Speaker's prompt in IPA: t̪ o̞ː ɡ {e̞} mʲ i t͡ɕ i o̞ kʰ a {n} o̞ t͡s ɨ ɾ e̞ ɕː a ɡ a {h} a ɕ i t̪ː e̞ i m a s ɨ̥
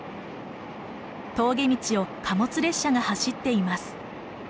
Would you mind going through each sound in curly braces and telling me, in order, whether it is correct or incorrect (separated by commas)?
correct, incorrect, correct